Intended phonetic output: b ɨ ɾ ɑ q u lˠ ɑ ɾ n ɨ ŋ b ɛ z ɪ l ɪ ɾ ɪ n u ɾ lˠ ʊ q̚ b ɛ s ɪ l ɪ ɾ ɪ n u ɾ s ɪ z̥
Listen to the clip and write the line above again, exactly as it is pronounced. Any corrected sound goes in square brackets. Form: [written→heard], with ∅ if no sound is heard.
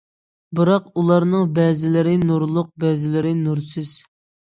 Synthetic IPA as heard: b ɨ ɾ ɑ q u lˠ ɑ ɾ n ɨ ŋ b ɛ z ɪ l ɪ ɾ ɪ n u ɾ lˠ ʊ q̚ b ɛ [s→z] ɪ l ɪ ɾ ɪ n u ɾ s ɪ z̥